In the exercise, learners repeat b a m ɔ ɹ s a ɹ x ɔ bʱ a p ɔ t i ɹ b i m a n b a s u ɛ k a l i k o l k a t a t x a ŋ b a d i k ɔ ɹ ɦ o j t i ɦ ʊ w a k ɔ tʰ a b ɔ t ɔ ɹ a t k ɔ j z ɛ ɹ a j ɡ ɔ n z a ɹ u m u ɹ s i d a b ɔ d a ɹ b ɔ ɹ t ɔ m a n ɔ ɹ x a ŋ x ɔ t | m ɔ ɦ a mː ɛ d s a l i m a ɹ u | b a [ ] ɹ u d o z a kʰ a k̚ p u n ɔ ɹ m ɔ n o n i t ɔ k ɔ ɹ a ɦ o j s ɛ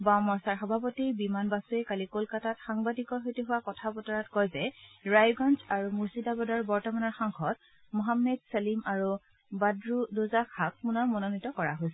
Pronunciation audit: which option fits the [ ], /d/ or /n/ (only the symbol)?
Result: d